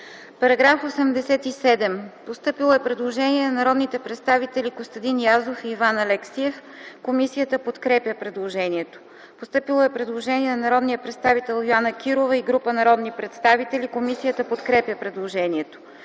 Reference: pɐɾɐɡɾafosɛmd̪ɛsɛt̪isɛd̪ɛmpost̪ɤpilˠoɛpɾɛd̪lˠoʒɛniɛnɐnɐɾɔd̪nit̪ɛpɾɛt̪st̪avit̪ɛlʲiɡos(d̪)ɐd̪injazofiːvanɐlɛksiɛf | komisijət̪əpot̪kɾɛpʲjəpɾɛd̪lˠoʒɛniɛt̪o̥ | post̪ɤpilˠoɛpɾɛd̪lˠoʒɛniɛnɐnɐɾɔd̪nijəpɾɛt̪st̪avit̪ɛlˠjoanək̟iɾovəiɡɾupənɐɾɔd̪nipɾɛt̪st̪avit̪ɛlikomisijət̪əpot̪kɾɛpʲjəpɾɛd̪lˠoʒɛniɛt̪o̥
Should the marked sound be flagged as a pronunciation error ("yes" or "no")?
yes